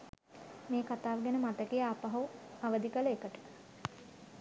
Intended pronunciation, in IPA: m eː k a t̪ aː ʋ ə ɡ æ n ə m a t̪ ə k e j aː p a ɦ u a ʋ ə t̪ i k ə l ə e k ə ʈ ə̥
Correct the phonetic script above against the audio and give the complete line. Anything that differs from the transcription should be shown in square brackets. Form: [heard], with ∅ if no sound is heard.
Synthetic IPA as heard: m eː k a t̪ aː ʋ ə ɡ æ n ə m a t̪ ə k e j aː p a ɦ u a ʋ ə [d̪] i k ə l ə e k ə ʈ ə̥